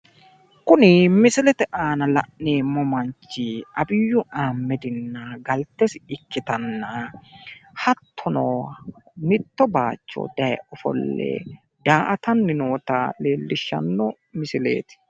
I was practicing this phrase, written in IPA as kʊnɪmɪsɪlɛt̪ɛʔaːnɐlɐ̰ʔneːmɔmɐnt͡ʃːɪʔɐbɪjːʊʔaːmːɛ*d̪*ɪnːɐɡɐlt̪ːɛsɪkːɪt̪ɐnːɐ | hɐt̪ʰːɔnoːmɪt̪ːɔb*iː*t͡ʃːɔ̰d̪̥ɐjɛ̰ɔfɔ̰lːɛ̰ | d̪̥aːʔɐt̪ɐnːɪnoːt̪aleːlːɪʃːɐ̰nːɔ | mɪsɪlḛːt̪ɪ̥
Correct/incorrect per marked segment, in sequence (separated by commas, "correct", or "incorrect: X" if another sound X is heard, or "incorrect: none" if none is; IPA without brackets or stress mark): correct, incorrect: aː